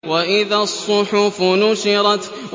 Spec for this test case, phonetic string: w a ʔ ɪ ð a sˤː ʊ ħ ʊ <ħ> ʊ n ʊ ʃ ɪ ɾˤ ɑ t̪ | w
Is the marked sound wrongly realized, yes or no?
yes